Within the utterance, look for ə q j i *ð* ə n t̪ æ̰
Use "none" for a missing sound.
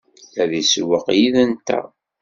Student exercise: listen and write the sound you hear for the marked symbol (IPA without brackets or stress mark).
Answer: ð